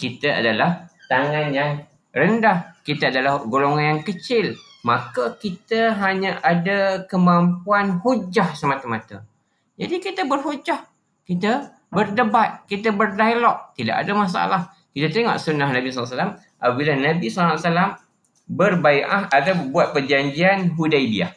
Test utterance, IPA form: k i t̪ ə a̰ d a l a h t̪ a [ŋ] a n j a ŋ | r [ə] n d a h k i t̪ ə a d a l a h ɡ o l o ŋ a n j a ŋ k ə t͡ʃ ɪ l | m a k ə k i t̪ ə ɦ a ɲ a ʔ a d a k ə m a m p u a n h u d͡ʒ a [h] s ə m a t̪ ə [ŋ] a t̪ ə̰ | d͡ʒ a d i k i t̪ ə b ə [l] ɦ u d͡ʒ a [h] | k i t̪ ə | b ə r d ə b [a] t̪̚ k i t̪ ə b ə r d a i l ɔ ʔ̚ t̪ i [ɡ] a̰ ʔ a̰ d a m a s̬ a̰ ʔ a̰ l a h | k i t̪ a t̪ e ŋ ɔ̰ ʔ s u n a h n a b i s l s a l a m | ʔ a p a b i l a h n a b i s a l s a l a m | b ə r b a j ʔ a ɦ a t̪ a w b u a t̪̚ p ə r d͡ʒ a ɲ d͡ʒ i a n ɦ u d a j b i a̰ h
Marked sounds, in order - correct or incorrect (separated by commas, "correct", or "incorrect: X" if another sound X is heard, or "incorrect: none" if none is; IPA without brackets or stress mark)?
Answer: correct, correct, correct, incorrect: m, incorrect: r, correct, correct, incorrect: d